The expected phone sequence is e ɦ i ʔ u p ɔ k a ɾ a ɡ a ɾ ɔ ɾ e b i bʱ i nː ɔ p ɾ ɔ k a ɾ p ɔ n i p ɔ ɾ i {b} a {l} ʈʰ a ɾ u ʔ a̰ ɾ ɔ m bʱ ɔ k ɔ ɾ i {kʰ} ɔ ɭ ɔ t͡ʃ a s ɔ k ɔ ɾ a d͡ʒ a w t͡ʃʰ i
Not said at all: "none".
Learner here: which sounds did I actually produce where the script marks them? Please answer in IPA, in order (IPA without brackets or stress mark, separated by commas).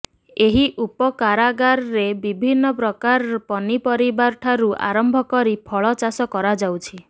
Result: b, ɾ, pʰ